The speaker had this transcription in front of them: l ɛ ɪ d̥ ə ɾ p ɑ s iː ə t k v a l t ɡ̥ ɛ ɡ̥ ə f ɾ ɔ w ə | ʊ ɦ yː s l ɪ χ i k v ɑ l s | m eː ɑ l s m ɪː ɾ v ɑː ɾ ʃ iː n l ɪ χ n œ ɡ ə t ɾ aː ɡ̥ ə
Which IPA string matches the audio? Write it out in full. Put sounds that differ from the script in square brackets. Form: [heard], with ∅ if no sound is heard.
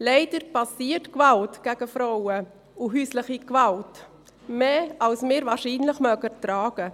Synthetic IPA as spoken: l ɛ ɪ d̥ ə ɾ p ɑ s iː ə t k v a l t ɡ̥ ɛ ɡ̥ ə f ɾ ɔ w ə | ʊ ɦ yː s l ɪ χ i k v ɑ l [t] | m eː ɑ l s m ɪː ɾ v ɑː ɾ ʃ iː n l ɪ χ [m] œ ɡ ə t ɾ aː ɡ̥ ə